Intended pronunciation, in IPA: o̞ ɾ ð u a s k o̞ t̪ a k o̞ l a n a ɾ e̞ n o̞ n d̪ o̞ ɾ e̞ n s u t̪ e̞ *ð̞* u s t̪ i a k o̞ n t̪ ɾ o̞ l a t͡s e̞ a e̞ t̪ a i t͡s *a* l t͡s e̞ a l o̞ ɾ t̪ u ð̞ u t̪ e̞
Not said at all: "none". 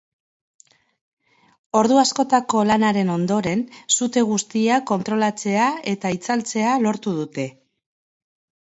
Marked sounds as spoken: ɣ̞, a

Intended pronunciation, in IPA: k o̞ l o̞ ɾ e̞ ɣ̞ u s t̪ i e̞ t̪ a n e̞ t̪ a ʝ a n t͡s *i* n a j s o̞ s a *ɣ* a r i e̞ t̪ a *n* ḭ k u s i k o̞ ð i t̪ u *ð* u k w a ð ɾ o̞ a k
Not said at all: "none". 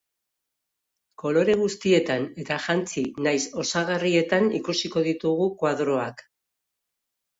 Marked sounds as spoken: i, ɣ, n, ɣ

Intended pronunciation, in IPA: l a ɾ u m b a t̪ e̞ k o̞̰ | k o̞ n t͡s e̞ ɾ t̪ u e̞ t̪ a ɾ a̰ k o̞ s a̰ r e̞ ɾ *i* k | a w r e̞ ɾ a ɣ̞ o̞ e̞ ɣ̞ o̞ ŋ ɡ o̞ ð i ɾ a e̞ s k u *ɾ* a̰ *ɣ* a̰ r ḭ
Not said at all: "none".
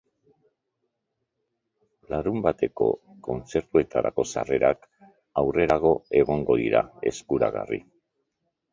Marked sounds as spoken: a, ɾ, ɣ

